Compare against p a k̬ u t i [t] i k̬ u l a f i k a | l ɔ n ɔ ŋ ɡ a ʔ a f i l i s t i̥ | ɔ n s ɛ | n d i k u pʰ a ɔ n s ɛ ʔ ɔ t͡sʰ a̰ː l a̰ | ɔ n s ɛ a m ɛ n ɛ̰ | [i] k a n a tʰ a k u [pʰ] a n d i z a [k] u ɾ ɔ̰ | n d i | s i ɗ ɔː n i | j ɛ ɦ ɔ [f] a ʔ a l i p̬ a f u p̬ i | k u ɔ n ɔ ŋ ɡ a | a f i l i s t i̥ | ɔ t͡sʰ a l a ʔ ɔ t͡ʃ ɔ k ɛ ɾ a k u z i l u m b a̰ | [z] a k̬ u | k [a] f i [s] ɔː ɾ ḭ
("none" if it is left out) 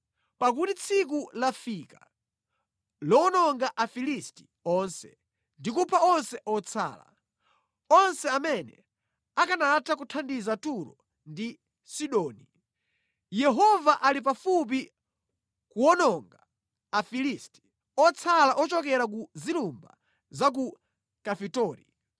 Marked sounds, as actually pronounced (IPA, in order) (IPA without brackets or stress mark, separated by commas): t͡sʰ, a, tʰ, t, v, z, a, t